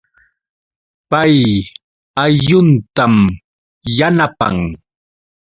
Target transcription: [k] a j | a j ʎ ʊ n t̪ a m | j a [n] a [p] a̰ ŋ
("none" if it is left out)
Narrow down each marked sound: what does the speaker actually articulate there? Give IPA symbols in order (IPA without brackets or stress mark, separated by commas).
p, n, p